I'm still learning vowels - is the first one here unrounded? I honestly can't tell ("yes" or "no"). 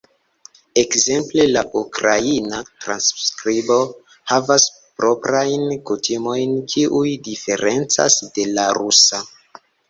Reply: yes